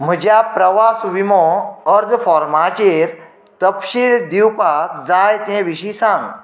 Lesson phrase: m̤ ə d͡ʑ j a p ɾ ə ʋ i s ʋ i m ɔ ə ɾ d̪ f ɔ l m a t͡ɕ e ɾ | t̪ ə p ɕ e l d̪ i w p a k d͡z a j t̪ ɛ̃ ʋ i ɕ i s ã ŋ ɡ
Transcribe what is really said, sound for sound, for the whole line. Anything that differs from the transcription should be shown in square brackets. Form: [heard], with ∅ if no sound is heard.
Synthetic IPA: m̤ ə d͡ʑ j a p ɾ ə ʋ [a] s ʋ i m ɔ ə ɾ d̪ f ɔ [ɾ] m a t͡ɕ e ɾ | t̪ ə p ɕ [i] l d̪ i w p a k d͡z a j t̪ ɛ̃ ʋ i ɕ i s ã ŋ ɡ